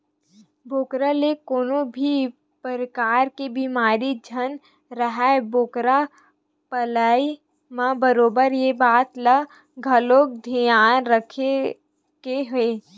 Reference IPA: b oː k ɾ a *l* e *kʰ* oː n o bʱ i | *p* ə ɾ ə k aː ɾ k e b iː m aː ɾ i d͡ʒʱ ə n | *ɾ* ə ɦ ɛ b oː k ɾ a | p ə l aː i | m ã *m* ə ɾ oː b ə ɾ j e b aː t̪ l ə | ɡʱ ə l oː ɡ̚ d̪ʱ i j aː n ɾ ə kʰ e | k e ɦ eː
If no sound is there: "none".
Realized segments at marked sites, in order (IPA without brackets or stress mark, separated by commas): l, k, p, ɾ, b